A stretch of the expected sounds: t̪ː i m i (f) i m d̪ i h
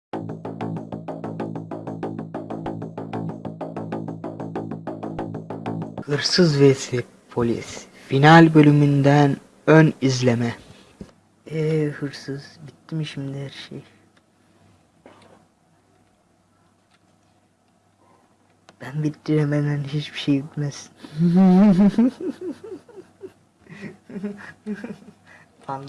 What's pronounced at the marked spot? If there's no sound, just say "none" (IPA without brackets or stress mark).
ʃ